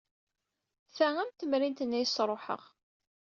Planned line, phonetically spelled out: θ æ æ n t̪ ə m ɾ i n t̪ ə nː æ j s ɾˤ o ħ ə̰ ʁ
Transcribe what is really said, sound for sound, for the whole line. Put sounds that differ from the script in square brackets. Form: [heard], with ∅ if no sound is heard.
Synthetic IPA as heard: θ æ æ [m] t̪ ə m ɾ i n t̪ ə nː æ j s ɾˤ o ħ ə̰ ʁ